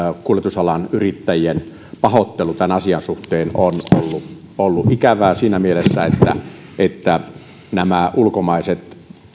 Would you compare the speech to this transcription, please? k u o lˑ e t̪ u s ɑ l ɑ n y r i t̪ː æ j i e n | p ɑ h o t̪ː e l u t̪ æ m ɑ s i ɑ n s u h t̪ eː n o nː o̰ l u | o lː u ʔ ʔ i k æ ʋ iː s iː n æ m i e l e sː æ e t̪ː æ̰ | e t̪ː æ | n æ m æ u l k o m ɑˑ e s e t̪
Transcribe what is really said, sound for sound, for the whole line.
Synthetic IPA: k u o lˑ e t̪ u s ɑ l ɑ n y r i t̪ː æ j i e n | p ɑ h o t̪ː e l u t̪ æ n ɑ s i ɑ n s u h t̪ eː n o n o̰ lː u | o lː u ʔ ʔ i k æ ʋ æː s iː n æ m i e l e sː æ e t̪ː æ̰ | e t̪ː æ | n æ m æ u l k o m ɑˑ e s e t̪

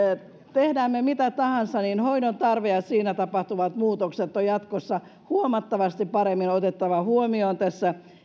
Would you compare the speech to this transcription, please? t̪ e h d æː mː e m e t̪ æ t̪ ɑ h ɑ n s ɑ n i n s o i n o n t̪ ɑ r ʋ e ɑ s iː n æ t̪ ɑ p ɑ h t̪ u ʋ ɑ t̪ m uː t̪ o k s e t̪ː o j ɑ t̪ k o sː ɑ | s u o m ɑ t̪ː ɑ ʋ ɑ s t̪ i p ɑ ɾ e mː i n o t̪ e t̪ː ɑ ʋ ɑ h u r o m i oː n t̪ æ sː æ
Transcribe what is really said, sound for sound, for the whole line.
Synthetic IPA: t̪ e h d æː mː e m i t̪ æ t̪ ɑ h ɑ n s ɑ n i n h o i n o n t̪ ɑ r ʋ e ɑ s iː n æ t̪ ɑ p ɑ h t̪ u ʋ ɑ t̪ m uː t̪ o k s e t̪ː o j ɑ t̪ k o sː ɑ | h u o m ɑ t̪ː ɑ ʋ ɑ s t̪ i p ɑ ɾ e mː i n o t̪ e t̪ː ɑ ʋ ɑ h u o m i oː n t̪ æ sː æ

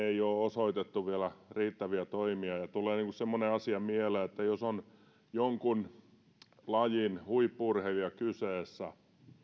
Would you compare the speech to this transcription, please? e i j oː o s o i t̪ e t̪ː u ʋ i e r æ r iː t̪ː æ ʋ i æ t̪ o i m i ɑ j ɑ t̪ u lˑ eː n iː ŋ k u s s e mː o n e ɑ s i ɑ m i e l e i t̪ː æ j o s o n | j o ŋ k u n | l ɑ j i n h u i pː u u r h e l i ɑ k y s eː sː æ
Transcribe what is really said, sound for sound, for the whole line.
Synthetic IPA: e i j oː o s o i t̪ e t̪ː u ʋ i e l æ r iː t̪ː æ ʋ i æ t̪ o i m i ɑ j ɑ t̪ u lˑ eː n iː ŋ k u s s e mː o n e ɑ s i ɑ m i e l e e t̪ː æ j o s o n | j o ŋ k u n | l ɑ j i n h u i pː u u r h e l i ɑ k y s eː sː æ

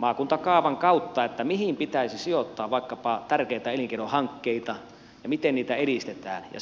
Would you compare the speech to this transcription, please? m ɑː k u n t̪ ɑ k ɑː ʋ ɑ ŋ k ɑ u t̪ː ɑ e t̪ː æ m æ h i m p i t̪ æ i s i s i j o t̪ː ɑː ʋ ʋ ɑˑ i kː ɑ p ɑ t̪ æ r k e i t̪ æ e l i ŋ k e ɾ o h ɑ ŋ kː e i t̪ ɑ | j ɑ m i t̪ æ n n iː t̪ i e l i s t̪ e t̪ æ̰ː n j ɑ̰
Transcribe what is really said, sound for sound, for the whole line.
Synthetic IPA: m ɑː k u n t̪ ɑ k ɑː ʋ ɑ ŋ k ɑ u t̪ː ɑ e t̪ː æ m i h i m p i t̪ æ i s i s i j o t̪ː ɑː ʋ ʋ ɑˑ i kː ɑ p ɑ t̪ æ r k e i t̪ æ e l i ŋ k e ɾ o h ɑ ŋ kː e i t̪ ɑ | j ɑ m i t̪ e n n iː t̪ æ e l i s t̪ e t̪ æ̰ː n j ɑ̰

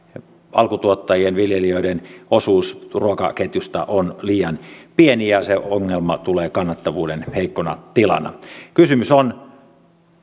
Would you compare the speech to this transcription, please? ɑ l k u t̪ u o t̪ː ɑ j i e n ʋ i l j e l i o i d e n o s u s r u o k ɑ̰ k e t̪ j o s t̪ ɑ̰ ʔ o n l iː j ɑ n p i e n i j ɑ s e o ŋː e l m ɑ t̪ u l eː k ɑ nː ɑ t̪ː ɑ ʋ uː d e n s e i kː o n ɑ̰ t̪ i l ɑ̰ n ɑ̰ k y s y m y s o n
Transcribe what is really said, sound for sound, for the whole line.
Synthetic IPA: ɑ l k u t̪ u o t̪ː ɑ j i e n ʋ i l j e l i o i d e n o s uː s r u o k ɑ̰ k e t̪ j u s t̪ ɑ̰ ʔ o n l iː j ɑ n p i e n i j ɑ s e o ŋː e l m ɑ t̪ u l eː k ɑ nː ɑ t̪ː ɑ ʋ uː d e n h e i kː o n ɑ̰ t̪ i l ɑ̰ n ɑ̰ k y s y m y s o n

